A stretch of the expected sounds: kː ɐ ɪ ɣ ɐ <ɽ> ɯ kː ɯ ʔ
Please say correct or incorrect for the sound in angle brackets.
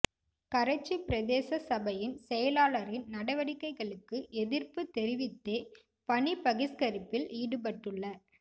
incorrect